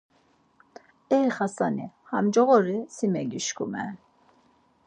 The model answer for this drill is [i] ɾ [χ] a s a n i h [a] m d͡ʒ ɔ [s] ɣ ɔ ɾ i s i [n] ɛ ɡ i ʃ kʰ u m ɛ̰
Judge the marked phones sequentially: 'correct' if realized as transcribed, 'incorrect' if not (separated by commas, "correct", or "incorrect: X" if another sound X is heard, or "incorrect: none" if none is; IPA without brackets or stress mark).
incorrect: ɛ, correct, correct, incorrect: none, incorrect: m